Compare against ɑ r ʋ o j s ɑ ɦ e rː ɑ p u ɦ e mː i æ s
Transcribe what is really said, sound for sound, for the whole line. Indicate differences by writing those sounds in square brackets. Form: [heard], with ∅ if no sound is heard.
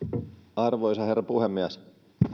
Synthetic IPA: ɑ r ʋ o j s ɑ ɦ e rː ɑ p u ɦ e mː i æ s

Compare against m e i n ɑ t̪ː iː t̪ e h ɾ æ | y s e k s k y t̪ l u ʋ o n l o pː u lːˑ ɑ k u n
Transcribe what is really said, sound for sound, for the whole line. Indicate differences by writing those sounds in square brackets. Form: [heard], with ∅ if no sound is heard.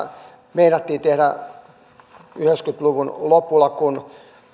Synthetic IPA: m e i n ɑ t̪ː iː t̪ e h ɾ æ | y [h] e k s k y t̪ l u ʋ [u] n l o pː u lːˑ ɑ k u n

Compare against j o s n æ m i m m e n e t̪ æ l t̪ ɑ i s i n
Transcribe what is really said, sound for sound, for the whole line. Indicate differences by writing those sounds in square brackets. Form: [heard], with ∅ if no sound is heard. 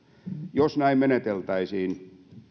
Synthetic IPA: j o s n æ [∅] i m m e n e t̪ [e] l t̪ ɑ i s [iː] n

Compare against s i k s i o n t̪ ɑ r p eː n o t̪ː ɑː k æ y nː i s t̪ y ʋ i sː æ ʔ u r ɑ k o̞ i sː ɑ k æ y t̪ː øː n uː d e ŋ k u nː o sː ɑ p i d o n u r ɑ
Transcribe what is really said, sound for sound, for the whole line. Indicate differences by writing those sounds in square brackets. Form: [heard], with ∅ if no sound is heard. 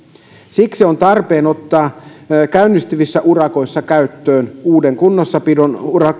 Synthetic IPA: s i k s i o n t̪ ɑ r p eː n o t̪ː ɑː k æ y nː i s t̪ y ʋ i sː æ ʔ u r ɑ k o̞ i sː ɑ k æ y t̪ː øː n uː d e ŋ k u nː o sː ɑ p i d o n u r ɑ

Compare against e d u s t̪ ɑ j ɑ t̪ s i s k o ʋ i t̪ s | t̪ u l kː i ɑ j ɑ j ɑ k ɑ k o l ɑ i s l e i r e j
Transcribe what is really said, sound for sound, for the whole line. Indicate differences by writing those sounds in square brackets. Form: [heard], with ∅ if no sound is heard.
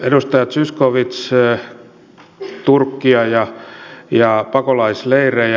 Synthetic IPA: e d u s t̪ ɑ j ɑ t̪ s [y] s k o ʋ i t̪ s | t̪ u [r] kː i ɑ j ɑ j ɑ [p] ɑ k o l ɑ i s l e i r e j

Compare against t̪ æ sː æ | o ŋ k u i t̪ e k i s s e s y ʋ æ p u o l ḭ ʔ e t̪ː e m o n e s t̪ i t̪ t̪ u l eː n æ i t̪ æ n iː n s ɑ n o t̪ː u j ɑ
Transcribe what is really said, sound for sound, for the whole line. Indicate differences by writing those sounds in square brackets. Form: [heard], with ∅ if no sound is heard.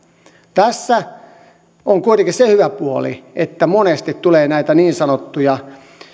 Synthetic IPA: t̪ æ sː æ | o ŋ k u i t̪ e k i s s e [h] y ʋ æ p u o l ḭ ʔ e t̪ː [æ] m o n e s t̪ i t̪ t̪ u l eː n æ i t̪ æ n iː n s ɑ n o t̪ː u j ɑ

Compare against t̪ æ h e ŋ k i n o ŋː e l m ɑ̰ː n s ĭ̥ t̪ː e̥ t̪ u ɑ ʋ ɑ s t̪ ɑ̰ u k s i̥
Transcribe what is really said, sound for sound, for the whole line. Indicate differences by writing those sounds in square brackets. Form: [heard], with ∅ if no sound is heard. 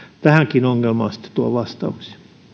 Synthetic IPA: t̪ æ h [æ] ŋ k i n o ŋː e l m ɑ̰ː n s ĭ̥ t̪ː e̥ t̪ u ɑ ʋ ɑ s t̪ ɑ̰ u k s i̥

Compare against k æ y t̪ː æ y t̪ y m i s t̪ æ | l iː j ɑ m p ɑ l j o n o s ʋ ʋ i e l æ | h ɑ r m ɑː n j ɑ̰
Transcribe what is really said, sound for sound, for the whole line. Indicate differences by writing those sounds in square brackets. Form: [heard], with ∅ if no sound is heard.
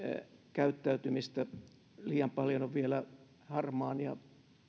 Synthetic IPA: k æ y t̪ː æ y t̪ y m i s t̪ æ | l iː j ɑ m p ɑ l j o n o [∅] ʋ ʋ i e l æ | h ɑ r m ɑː n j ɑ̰

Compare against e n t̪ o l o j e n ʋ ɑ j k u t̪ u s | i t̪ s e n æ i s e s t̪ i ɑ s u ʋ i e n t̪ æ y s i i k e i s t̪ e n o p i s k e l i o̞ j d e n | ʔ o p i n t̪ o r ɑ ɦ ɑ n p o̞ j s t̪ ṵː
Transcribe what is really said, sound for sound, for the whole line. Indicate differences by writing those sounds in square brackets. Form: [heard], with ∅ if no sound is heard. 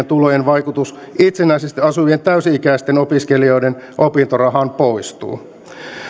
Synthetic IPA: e n t̪ [u] l o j e n ʋ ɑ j k u t̪ u s | i t̪ s e n æ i s e s t̪ i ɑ s u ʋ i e n t̪ æ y s i i k [æ] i s t̪ e n o p i s k e l i o̞ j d e n | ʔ o p i n t̪ o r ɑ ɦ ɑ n p o̞ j s t̪ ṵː

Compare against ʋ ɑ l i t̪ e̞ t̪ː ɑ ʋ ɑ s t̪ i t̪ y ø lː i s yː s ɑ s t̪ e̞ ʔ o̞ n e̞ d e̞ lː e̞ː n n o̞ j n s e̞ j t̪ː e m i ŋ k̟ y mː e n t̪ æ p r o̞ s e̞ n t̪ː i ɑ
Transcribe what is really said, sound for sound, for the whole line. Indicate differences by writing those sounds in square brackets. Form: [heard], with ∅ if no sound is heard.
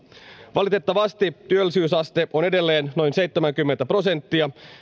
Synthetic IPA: ʋ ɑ l i t̪ e̞ t̪ː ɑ ʋ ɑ s t̪ i t̪ y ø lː i s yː s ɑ s t̪ e̞ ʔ o̞ n e̞ d e̞ lː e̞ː n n o̞ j n s e̞ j t̪ː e m [æ] ŋ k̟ y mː e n t̪ æ p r o̞ s e̞ n t̪ː i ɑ

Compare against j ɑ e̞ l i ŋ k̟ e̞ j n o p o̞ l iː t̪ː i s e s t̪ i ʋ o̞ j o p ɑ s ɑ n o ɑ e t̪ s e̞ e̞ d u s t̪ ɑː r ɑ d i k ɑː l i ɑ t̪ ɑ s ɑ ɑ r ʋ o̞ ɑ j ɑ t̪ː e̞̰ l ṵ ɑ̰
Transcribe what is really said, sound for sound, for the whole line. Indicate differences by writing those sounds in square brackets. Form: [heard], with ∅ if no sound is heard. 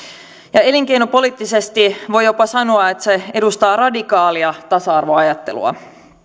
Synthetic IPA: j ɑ e̞ l i ŋ k̟ e̞ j n o p o̞ l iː t̪ː i s e s t̪ i ʋ o̞ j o p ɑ s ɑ n o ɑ e t̪ s e̞ e̞ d u s t̪ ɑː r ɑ d i k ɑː l i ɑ t̪ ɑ s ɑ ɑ r ʋ o̞ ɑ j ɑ t̪ː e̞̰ l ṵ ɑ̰

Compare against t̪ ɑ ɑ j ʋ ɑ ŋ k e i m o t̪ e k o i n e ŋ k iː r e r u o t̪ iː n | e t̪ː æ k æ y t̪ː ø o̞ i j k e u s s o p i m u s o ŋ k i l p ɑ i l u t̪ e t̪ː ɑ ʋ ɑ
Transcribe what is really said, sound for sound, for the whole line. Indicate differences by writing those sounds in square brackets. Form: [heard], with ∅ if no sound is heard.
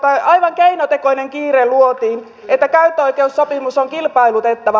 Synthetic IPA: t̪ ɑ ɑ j ʋ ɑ ŋ k e i [n] o t̪ e k o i n e ŋ k iː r e [l] u o t̪ iː n | e t̪ː æ k æ y t̪ː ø o̞ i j k e u s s o p i m u s o ŋ k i l p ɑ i l u t̪ e t̪ː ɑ ʋ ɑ

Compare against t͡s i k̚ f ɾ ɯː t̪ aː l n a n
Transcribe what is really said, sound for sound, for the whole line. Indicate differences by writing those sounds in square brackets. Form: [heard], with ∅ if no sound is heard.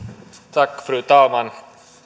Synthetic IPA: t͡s [a] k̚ f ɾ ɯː t̪ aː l [m] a n

